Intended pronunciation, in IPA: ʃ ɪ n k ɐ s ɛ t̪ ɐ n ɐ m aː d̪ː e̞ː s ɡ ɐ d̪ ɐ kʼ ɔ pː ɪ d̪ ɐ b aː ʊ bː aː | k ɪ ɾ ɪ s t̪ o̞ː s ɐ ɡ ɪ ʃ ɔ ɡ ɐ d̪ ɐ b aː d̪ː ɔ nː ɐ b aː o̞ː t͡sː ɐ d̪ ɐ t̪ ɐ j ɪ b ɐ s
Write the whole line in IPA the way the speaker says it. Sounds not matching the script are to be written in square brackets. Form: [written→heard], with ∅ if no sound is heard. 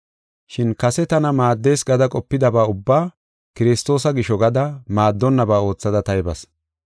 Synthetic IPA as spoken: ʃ ɪ n k ɐ s ɛ t̪ ɐ n ɐ m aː d̪ː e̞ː s ɡ ɐ d̪ ɐ kʼ ɔ pː ɪ d̪ ɐ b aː ʊ bː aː | k ɪ ɾ ɪ s t̪ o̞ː s ɐ ɡ ɪ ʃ ɔ ɡ ɐ d̪ ɐ [b→m] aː d̪ː ɔ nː ɐ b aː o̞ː t͡sː ɐ d̪ ɐ t̪ ɐ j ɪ b ɐ s